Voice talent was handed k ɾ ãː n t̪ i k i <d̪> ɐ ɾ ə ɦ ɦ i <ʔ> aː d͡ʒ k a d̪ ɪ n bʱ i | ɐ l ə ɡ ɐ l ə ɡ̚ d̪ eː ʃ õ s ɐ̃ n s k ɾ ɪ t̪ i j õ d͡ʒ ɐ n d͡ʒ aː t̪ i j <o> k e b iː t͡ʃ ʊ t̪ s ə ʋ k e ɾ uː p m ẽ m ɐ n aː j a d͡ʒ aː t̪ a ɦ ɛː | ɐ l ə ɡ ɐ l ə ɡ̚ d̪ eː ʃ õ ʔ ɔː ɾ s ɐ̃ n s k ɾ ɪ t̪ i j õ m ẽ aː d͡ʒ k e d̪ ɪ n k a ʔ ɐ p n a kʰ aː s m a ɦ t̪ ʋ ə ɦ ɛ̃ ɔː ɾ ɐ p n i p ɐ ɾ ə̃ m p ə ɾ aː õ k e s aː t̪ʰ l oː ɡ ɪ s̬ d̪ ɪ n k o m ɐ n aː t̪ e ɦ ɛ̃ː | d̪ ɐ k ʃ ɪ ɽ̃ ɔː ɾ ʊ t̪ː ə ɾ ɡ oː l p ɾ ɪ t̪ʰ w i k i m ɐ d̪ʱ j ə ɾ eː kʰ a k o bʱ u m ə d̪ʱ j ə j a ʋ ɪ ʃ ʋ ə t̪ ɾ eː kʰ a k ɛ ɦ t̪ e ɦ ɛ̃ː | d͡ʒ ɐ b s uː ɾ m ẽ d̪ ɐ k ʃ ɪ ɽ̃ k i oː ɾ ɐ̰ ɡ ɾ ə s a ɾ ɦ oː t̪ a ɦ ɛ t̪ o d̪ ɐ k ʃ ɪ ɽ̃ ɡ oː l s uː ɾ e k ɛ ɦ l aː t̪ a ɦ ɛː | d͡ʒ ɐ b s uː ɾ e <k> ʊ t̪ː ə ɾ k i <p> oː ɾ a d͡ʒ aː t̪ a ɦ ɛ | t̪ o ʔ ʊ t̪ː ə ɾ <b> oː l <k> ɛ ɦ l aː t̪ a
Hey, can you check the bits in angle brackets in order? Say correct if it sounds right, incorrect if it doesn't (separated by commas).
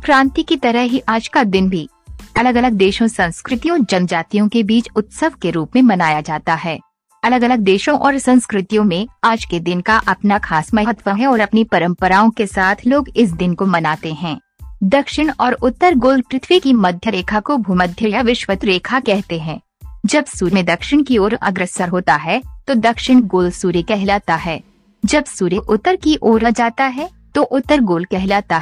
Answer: incorrect, correct, incorrect, incorrect, incorrect, incorrect, correct